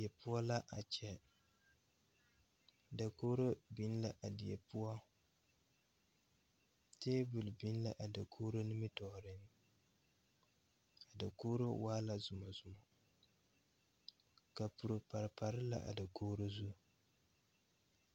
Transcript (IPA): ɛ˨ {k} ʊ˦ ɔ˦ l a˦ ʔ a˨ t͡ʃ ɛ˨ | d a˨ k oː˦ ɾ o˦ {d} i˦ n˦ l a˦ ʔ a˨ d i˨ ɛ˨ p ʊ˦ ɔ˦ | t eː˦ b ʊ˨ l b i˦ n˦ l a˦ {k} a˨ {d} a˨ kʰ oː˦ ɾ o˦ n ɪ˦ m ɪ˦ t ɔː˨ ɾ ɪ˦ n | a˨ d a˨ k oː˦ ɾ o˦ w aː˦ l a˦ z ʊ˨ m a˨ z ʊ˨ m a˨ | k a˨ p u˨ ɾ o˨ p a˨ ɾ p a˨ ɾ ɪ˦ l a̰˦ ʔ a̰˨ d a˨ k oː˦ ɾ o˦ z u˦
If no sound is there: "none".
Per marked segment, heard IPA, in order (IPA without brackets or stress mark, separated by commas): p, b, ʔ, d